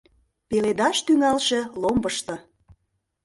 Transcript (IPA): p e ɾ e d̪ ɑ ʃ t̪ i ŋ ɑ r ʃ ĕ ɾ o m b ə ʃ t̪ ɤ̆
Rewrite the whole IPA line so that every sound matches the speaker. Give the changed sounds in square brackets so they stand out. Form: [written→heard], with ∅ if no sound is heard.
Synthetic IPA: p e [ɾ→l] e d̪ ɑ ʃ t̪ [i→y] ŋ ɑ [r→l] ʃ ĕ [ɾ→l] o m b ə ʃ t̪ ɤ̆